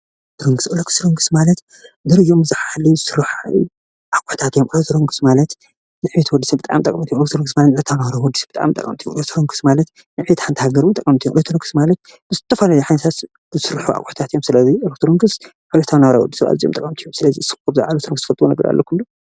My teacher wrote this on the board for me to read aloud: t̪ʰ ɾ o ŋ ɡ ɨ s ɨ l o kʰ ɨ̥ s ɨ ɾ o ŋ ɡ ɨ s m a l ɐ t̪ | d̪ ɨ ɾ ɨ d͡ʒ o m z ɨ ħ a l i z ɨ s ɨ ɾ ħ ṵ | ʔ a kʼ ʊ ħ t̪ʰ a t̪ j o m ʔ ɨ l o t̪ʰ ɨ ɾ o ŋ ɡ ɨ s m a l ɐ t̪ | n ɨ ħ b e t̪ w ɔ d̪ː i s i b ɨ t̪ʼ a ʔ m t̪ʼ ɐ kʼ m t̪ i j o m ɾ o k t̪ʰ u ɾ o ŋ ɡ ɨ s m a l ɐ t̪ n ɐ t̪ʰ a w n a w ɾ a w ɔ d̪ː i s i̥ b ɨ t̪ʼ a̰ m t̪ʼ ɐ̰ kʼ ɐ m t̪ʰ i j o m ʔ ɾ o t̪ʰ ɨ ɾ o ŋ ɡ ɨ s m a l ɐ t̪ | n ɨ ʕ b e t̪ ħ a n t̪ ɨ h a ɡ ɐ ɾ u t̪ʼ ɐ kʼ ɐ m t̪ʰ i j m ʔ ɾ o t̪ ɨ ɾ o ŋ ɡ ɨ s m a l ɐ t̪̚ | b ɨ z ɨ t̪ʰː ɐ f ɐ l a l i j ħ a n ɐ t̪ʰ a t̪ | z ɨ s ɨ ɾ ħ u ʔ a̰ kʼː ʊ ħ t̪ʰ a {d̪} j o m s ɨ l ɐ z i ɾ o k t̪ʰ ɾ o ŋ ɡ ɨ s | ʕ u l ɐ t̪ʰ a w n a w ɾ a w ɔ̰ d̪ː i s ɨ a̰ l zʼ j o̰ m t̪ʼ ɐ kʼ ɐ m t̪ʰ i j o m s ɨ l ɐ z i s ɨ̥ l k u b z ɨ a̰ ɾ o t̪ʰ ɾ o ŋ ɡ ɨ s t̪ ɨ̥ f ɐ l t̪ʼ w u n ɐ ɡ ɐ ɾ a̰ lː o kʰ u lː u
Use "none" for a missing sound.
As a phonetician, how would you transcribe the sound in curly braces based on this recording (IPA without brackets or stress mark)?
t̪